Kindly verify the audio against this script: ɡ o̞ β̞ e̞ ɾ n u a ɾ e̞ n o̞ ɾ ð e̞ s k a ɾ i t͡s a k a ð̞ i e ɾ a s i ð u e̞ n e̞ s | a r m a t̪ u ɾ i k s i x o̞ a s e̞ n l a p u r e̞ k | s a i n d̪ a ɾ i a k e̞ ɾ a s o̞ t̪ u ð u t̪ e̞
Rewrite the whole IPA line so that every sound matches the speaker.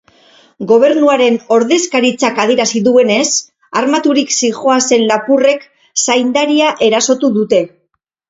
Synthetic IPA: ɡ o̞ β̞ e̞ ɾ n u a ɾ e̞ n o̞ ɾ ð e̞ s k a ɾ i t͡s a k a ð̞ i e ɾ a s i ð u e̞ n e̞ s | a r m a t̪ u ɾ i k s i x o̞ a s e̞ n l a p u r e̞ k | s a j n d̪ a ɾ i a ʔ e̞ ɾ a s o̞ t̪ u ð u t̪ e̞